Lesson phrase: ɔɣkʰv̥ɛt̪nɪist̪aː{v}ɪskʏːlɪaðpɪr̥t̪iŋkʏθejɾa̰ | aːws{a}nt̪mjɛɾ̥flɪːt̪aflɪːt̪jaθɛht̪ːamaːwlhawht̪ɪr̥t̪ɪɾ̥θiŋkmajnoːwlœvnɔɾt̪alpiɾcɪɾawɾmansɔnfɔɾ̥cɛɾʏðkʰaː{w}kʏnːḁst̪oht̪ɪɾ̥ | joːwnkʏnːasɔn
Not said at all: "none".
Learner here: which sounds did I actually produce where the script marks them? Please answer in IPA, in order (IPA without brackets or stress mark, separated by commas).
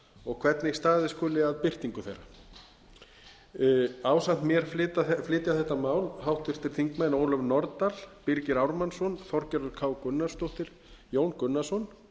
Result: ð, a, w